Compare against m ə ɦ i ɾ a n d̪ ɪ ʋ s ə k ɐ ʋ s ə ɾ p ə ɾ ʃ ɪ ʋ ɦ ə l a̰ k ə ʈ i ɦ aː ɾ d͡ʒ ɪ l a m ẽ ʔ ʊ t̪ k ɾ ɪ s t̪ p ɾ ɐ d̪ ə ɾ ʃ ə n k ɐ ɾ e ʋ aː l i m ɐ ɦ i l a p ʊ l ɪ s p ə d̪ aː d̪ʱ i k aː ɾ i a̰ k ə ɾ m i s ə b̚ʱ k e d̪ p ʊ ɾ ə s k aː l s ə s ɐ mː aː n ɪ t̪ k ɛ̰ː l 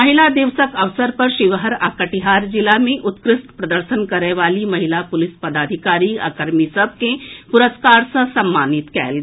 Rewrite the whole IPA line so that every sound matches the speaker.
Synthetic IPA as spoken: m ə ɦ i l a d̪ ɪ ʋ s ə k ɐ ʋ s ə ɾ p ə ɾ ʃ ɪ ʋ ɦ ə ɾ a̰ k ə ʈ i ɦ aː ɾ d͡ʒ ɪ l a m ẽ ʔ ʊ t̪ k ɾ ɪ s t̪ p ɾ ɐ d̪ ə ɾ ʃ ə n k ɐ ɾ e ʋ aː l i m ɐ ɦ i l a p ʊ l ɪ s p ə d̪ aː d̪ʱ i k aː ɾ i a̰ k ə ɾ m i s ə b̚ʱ k e p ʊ ɾ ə s k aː ɾ s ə s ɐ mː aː n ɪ t̪ k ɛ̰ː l